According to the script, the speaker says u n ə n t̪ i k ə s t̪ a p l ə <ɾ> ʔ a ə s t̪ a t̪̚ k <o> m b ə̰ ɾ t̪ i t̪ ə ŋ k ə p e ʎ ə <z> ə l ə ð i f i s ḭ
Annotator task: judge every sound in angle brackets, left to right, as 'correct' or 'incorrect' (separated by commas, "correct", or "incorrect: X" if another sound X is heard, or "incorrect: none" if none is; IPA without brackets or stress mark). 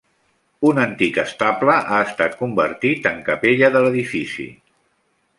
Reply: incorrect: none, incorrect: u, incorrect: ð